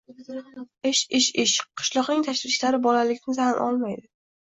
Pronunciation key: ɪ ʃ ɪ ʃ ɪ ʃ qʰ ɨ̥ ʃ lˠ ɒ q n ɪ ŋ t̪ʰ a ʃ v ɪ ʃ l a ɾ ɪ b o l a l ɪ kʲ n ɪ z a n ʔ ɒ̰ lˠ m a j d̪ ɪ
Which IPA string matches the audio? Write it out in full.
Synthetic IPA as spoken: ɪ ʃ ɪ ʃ ɪ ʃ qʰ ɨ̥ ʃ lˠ ɒ q n ɪ ŋ t̪ʰ a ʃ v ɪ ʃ l a ɾ ɪ b ɒ l a l ɪ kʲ n ɪ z a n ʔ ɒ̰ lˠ m a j d̪ ɪ